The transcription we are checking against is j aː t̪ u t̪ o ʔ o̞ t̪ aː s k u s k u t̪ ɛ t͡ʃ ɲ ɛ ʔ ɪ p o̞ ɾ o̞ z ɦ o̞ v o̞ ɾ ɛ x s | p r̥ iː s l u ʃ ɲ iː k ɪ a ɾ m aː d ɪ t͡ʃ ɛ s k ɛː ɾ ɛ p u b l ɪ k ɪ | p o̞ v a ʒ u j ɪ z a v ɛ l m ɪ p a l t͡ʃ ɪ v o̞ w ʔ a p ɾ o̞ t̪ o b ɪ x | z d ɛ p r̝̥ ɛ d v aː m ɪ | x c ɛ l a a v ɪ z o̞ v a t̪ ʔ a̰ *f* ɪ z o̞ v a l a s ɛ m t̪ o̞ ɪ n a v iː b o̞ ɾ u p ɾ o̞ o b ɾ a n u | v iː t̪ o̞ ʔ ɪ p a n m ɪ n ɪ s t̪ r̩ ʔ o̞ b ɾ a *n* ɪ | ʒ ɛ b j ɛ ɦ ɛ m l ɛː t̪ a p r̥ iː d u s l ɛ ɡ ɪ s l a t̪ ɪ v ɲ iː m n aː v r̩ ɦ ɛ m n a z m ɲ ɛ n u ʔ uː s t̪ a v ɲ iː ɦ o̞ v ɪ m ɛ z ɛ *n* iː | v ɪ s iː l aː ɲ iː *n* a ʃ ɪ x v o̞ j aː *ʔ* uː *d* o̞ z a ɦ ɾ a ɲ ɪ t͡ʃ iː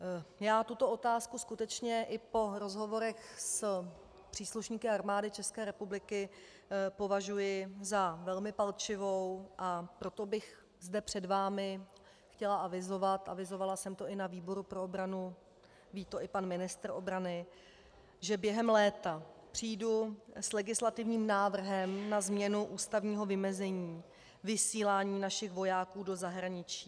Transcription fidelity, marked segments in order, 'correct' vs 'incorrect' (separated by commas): incorrect, correct, incorrect, correct, incorrect, correct